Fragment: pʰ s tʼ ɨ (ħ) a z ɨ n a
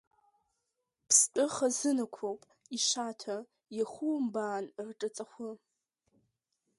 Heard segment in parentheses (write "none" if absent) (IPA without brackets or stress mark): χ